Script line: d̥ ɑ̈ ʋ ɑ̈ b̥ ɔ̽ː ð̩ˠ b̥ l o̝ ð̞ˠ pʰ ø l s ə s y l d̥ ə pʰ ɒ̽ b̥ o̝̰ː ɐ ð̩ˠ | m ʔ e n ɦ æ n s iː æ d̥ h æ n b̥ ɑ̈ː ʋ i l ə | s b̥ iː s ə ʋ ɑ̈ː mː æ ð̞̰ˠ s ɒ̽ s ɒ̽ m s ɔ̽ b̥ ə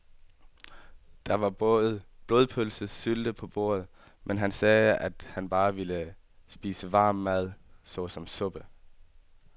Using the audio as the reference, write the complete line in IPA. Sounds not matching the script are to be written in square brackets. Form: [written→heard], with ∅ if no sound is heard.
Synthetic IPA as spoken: d̥ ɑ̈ ʋ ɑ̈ b̥ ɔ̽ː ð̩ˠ b̥ l o̝ ð̞ˠ pʰ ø l s ə s y l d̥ ə pʰ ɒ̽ b̥ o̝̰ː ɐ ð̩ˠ | m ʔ e n ɦ æ n s [iː→ɛː] æ d̥ h æ n b̥ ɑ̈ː ʋ i l ə | s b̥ iː s ə ʋ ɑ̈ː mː æ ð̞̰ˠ s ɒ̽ s ɒ̽ m s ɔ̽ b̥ ə